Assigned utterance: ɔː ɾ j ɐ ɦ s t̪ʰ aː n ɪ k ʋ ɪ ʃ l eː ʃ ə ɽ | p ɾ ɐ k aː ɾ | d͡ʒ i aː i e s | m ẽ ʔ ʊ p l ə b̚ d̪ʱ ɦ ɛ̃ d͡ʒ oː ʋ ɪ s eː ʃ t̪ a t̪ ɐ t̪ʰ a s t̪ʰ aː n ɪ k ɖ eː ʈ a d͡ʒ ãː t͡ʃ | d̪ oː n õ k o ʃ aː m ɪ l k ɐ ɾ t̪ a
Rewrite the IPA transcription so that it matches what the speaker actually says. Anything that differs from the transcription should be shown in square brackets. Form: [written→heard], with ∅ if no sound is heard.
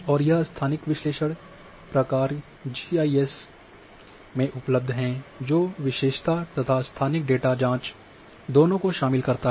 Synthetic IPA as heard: ɔː ɾ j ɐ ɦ s t̪ʰ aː n ɪ k ʋ ɪ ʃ l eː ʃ ə ɽ | p ɾ ɐ k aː ɾ | d͡ʒ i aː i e s | m ẽ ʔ ʊ p l ə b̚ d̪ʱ ɦ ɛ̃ d͡ʒ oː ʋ ɪ [s→ʃ] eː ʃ t̪ a t̪ ɐ t̪ʰ a s t̪ʰ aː n ɪ k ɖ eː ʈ a d͡ʒ ãː t͡ʃ | d̪ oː n õ k o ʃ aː m ɪ l k ɐ ɾ t̪ a